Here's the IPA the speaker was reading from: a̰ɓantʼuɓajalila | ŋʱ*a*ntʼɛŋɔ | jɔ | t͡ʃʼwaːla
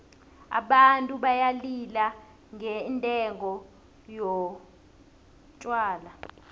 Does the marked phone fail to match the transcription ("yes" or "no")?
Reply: yes